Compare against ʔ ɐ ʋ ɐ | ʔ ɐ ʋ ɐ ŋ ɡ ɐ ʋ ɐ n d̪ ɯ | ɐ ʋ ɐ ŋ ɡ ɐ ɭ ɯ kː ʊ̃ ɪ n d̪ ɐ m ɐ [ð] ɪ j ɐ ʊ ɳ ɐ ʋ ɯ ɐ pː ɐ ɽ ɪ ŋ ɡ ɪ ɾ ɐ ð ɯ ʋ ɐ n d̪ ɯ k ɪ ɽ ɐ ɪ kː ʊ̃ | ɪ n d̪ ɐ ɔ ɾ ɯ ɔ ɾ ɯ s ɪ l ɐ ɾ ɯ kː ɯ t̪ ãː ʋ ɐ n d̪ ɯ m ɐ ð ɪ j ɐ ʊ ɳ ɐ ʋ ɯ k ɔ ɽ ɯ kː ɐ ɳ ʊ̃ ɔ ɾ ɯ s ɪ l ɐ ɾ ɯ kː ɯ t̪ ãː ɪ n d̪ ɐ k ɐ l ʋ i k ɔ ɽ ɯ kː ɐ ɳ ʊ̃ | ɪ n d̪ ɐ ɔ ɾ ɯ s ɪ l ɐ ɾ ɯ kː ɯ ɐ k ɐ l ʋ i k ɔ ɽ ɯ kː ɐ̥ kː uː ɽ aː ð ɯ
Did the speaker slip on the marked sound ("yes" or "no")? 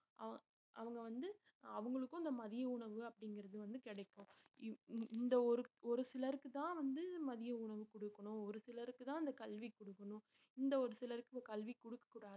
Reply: no